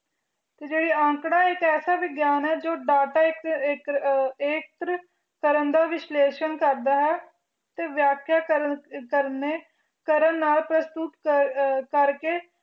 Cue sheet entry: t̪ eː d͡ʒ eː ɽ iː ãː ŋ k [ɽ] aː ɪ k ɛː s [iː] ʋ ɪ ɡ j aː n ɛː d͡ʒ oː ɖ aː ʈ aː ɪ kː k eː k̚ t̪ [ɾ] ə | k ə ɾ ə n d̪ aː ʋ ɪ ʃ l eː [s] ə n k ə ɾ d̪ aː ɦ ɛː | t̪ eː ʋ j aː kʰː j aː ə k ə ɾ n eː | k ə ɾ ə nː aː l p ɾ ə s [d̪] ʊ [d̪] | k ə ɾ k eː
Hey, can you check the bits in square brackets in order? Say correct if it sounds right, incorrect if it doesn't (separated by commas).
correct, incorrect, correct, incorrect, incorrect, incorrect